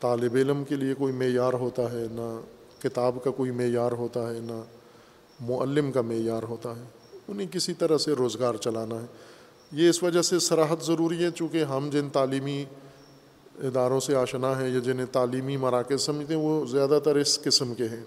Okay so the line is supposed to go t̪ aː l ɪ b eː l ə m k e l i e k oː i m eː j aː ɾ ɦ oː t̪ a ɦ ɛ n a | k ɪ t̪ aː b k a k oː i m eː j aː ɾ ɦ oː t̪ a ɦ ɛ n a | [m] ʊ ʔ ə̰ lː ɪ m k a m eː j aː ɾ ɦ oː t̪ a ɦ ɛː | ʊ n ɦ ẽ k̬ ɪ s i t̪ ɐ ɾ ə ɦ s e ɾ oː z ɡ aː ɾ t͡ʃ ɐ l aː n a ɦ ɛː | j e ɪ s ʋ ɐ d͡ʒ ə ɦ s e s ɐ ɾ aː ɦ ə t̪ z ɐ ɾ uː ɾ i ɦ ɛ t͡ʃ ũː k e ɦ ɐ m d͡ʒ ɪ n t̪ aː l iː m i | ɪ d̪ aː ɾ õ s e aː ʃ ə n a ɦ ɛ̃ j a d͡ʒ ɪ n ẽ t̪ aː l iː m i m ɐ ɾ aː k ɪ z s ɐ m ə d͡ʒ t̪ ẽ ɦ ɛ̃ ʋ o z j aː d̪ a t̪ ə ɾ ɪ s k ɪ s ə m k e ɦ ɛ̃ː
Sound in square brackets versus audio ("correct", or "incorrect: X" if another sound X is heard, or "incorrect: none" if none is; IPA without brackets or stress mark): correct